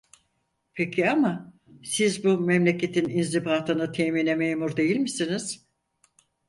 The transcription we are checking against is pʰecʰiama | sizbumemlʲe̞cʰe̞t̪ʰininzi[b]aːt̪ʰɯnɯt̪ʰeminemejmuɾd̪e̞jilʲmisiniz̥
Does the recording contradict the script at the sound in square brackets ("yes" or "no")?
no